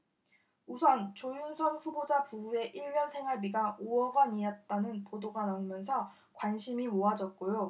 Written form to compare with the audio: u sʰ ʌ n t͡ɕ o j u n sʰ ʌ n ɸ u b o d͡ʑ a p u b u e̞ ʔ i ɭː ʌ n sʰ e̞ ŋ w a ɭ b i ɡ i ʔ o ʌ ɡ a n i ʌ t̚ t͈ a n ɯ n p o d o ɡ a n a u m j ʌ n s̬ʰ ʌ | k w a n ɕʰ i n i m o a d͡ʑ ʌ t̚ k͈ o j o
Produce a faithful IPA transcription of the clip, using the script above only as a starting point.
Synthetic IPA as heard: u sʰ ʌ n t͡ɕ o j u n sʰ ʌ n ɸ u b o d͡ʑ a p u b u e̞ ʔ i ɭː ʌ n sʰ e̞ ŋ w a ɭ b i ɡ a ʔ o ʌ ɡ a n i ʌ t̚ t͈ a n ɯ n p o d o ɡ a n a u m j ʌ n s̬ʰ ʌ | k w a n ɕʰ i m i m o a d͡ʑ ʌ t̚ k͈ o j o

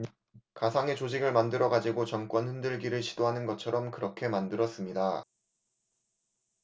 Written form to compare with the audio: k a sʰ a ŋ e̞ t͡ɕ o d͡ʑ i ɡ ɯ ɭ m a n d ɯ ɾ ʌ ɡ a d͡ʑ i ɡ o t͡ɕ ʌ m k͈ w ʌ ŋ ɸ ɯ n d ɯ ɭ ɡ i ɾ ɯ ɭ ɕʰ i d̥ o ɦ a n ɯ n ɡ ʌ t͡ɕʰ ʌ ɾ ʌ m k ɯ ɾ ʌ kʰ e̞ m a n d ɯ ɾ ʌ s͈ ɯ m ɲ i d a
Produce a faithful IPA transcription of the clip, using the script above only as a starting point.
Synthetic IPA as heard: k a sʰ a ŋ e̞ t͡ɕ o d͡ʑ i ɡ ɯ ɭ m a n d ɯ ɾ ʌ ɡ a d͡ʑ i ɡ o t͡ɕ ʌ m k͈ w ʌ n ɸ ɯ n d ɯ ɭ ɡ i ɾ ɯ ɭ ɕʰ i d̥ o ɦ a n ɯ n ɡ ʌ t͡ɕʰ ʌ ɾ ʌ m k ɯ ɾ ʌ kʰ e̞ m a n d ɯ ɾ ʌ s͈ ɯ m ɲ i d a

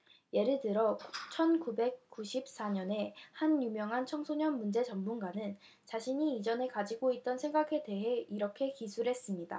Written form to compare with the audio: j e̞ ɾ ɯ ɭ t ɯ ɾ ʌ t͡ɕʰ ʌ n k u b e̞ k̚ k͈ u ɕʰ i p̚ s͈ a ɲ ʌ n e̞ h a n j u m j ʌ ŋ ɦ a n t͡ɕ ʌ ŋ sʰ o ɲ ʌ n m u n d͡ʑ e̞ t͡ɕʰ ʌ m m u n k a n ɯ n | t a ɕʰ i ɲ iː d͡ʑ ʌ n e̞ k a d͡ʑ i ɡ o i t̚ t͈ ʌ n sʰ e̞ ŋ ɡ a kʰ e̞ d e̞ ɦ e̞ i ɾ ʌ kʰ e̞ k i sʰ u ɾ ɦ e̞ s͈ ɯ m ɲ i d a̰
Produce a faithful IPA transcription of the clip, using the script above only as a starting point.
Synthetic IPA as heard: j e̞ ɾ ɯ ɭ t ɯ ɾ ʌ t͡ɕʰ ʌ n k u b e̞ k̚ k͈ u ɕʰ i p̚ s͈ a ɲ ʌ n e̞ h a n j u m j ʌ ŋ ɦ a n t͡ɕʰ ʌ ŋ sʰ o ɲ ʌ n m u n d͡ʑ e̞ t͡ɕ ʌ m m u n ɡ a n ɯ n | t͡ɕ a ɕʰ i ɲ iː d͡ʑ ʌ n e̞ k a d͡ʑ i ɡ o i t̚ t͈ ʌ n sʰ e̞ ŋ ɡ a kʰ e̞ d e̞ ɦ e̞ i ɾ ʌ kʰ e̞ k i sʰ u ɾ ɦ e̞ s͈ ɯ m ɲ i d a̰

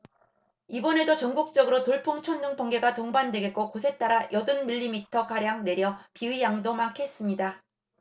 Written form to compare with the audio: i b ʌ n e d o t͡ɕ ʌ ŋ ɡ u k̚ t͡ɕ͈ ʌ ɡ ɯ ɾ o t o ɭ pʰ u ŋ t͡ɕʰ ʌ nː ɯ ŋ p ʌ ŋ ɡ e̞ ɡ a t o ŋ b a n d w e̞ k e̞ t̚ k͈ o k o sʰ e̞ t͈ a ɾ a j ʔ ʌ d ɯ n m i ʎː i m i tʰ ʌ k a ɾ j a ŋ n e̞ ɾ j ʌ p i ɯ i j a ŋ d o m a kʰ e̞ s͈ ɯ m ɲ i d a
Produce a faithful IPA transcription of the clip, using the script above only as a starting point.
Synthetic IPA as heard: i b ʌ n e d o t͡ɕ ʌ ŋ ɡ u k̚ t͡ɕ͈ ʌ ɡ ɯ ɾ o t o ɭ pʰ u ŋ t͡ɕʰ ʌ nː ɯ ŋ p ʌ ŋ ɡ e̞ ɡ a t o ŋ b a n d w e̞ ɡ e̞ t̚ k͈ o k o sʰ e̞ t͈ a ɾ a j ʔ ʌ d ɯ n m i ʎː i m i tʰ ʌ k a ɾ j a ŋ n e̞ ɾ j ʌ p i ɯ i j a ŋ d o m a kʰ e̞ s͈ ɯ m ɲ i d a

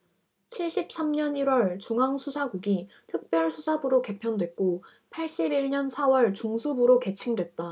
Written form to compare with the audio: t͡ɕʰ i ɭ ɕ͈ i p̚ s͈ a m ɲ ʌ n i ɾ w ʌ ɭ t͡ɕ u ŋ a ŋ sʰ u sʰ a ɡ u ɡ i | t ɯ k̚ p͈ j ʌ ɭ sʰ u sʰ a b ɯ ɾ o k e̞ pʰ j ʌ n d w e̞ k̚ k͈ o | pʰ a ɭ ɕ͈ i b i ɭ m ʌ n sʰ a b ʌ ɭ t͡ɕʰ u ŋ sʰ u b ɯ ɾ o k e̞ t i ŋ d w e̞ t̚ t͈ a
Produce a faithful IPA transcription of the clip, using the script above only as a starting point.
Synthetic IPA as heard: t͡ɕʰ i ɭ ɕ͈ i p̚ s͈ a m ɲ ʌ n i ɾ w ʌ ɭ t͡ɕ u ŋ a ŋ sʰ u sʰ a ɡ u ɡ i | tʰ ɯ k̚ p͈ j ʌ ɭ sʰ u sʰ a b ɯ ɾ o k e̞ pʰ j ʌ n d w e̞ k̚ k͈ o | pʰ a ɭ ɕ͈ i b i ɭ ɲ ʌ n sʰ a w ʌ ɭ t͡ɕ u ŋ sʰ u b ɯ ɾ o k e̞ t͡ɕʰ i ŋ d w e̞ t̚ t͈ a

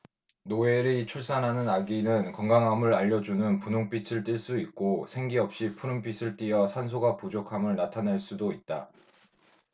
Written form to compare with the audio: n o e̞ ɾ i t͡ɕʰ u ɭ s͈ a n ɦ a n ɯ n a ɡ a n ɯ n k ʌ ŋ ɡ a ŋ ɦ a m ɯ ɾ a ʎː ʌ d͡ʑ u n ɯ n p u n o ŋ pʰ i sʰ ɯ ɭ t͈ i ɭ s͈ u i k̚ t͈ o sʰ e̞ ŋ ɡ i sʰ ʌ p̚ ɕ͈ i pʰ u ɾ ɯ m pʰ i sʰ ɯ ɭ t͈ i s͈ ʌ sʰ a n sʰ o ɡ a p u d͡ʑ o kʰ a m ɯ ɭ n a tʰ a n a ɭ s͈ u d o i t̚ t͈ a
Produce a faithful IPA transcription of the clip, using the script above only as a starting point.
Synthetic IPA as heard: n o e̞ ɾ i t͡ɕʰ u ɭ s͈ a n ɦ a n ɯ n a ɡ i n ɯ n k ʌ ŋ ɡ a ŋ ɦ a m ɯ ɾ a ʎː ʌ d͡ʑ u n ɯ n p u n o ŋ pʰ i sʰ ɯ ɭ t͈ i ɭ s͈ u i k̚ k͈ o sʰ e̞ ŋ ɡ i ʌ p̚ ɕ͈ i pʰ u ɾ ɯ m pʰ i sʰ ɯ ɭ t͈ i ʌ sʰ a n sʰ o ɡ a p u d͡ʑ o kʰ a m ɯ ɭ n a tʰ a n a ɭ s͈ u d o i t̚ t͈ a

